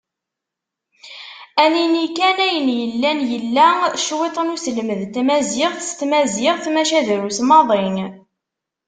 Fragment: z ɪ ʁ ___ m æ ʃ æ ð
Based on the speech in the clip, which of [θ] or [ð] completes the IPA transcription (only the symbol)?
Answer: θ